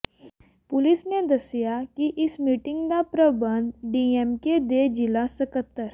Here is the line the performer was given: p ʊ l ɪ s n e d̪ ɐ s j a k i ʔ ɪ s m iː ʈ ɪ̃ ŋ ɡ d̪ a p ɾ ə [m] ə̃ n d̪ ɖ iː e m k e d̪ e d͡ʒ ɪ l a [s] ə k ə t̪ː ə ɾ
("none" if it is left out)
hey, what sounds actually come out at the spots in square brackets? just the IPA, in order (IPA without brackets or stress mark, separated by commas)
b, s